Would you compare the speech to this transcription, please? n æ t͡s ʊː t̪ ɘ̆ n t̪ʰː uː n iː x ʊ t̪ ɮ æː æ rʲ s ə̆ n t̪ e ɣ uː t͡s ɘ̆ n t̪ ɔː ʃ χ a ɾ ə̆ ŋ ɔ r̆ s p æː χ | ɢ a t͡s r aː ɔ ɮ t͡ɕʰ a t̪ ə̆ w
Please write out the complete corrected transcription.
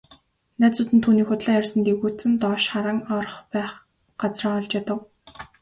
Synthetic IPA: n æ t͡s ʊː t̪ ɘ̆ n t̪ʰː uː n iː x ʊ t̪ ɮ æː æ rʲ s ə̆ n t̪ e ɣ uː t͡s ɘ̆ n t̪ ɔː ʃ χ a ɾ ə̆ ŋ ɔ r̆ χ p æː χ | ɢ a t͡s r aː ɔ ɮ t͡ɕ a t̪ ə̆ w